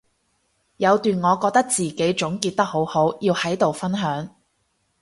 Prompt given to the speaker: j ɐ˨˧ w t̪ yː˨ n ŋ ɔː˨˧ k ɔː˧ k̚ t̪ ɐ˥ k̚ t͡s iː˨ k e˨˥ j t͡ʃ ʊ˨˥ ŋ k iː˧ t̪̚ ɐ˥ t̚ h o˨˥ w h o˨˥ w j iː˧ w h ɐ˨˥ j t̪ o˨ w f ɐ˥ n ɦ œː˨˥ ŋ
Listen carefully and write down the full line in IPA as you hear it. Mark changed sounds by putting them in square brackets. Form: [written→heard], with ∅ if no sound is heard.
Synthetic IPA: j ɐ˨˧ w t̪ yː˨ n ŋ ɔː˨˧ k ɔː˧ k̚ t̪ ɐ˥ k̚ t͡s iː˨ k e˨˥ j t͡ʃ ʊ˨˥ ŋ k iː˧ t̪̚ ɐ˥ [t̚→k̚] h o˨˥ w h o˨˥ w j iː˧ w h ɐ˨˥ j t̪ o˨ w f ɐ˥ n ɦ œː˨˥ ŋ